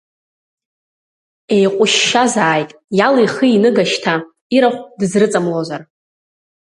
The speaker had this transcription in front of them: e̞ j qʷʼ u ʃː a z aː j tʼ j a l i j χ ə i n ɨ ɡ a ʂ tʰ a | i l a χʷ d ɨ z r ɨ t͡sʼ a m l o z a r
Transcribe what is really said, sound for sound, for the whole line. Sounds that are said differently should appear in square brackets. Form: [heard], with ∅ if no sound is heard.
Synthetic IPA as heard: e̞ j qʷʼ [ʊ] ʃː a z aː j tʼ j a l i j χ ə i n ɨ ɡ a [ʃ] tʰ a | i [ɾ] a χʷ d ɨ z r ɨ t͡sʼ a m l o z a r